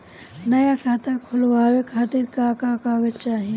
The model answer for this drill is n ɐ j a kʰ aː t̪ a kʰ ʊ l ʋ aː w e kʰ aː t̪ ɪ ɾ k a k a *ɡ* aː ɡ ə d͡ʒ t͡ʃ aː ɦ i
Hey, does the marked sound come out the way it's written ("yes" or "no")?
no